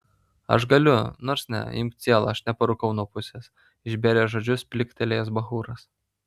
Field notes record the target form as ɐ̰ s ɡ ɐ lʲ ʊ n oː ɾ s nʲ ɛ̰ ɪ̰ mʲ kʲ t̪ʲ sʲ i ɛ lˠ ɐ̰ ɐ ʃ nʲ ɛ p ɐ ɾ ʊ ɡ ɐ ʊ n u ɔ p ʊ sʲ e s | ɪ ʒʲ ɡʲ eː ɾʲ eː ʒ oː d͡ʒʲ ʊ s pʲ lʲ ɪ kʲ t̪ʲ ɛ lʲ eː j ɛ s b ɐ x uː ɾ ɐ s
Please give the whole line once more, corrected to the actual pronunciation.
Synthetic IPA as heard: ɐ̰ ʃ ɡ ɐ lʲ ʊ n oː ɾ s nʲ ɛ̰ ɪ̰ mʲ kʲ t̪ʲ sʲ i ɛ lˠ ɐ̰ ɐ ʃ nʲ ɛ p ɐ ɾ ʊ k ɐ ʊ n u ɔ p ʊ sʲ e s | ɪ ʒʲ bʲ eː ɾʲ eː ʒ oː d͡ʒʲ ʊ s pʲ lʲ ɪ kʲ t̪ʲ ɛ lʲ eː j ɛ s b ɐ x uː ɾ ɐ s